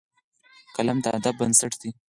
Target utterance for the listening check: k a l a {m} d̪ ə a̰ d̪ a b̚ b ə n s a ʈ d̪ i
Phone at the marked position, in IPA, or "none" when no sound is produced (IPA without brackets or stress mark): m